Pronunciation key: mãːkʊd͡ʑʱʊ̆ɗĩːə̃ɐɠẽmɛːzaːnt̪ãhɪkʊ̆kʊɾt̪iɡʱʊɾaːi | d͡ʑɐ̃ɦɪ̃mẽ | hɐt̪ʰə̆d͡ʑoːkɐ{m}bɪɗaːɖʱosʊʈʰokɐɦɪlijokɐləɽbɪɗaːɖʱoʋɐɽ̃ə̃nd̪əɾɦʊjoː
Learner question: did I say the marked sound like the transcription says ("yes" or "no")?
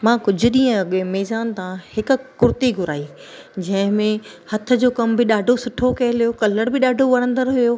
yes